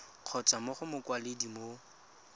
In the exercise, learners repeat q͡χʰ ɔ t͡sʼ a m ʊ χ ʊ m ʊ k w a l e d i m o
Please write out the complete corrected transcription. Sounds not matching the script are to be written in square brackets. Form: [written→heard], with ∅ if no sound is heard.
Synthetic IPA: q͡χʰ ɔ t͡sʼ a m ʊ χ ʊ m ʊ k w a l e d i m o